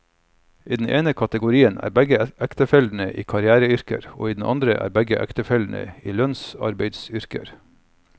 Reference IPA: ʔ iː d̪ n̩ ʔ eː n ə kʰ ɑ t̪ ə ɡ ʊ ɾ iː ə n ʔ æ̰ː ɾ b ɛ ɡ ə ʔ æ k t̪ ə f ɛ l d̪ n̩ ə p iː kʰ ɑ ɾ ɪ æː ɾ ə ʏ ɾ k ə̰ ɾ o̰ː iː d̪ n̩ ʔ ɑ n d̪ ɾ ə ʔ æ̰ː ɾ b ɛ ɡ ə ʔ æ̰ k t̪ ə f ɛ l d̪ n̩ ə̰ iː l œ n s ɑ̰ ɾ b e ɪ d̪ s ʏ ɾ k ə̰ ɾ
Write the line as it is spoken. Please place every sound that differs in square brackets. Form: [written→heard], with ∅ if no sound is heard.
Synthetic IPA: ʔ iː d̪ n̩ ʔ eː n ə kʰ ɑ t̪ ə ɡ ʊ ɾ iː ə n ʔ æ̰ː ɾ b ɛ ɡ ə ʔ æ k t̪ ə f ɛ l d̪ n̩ ə [p→ʔ] iː kʰ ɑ ɾ ɪ æː ɾ ə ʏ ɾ k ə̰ ɾ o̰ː iː d̪ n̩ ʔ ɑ n d̪ ɾ ə ʔ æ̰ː ɾ b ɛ ɡ ə ʔ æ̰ k t̪ ə f ɛ l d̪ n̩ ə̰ iː l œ n s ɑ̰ ɾ b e ɪ d̪ s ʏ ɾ k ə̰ ɾ